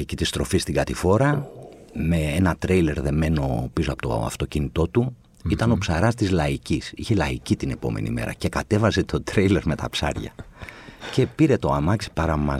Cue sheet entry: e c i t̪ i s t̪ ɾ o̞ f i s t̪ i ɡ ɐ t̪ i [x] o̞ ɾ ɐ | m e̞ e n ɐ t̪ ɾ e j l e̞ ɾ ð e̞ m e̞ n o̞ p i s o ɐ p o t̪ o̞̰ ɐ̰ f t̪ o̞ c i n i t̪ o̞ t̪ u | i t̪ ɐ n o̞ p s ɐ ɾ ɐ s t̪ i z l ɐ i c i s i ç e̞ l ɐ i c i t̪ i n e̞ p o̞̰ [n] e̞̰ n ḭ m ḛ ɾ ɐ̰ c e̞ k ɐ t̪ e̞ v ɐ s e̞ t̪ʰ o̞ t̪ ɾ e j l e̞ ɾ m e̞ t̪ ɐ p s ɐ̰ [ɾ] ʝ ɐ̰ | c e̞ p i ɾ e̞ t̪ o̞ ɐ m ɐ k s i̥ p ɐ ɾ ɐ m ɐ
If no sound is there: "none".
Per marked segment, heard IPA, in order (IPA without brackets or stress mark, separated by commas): f, m, ɾ